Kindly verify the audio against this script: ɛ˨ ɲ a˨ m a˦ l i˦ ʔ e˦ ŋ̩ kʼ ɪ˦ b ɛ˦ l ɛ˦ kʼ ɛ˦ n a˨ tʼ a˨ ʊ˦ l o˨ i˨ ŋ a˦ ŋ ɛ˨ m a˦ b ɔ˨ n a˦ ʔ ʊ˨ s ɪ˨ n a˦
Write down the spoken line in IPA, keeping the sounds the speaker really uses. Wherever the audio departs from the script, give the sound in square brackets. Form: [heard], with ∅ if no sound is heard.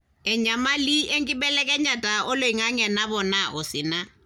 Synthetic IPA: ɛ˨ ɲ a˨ m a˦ l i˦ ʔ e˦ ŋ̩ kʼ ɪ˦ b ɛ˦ l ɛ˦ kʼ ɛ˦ [ɲ] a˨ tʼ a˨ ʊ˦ l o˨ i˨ ŋ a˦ ŋ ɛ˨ [n] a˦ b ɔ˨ n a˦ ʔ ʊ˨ s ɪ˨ n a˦